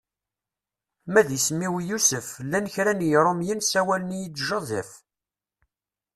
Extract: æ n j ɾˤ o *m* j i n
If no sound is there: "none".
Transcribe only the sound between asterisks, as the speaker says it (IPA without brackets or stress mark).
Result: m